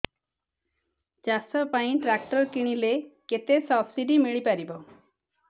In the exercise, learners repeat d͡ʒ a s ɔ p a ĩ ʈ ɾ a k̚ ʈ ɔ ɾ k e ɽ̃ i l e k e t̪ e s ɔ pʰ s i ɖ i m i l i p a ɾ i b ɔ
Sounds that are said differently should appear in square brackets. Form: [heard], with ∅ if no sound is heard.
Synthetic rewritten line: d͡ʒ a s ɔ p a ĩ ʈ ɾ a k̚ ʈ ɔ ɾ k [i] ɽ̃ i l e k e t̪ e s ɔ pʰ s i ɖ i m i [ɭ] i p a ɾ i b ɔ